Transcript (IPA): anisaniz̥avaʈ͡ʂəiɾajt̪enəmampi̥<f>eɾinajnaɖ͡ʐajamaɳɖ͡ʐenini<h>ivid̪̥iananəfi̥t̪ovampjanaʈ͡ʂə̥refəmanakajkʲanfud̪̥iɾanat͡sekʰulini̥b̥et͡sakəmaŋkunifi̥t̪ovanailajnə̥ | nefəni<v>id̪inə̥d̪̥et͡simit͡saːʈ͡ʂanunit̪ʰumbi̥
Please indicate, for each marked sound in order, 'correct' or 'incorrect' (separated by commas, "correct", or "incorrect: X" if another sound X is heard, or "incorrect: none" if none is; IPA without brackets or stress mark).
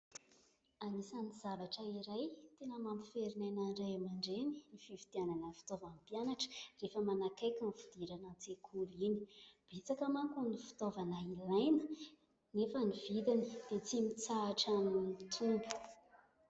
correct, incorrect: f, correct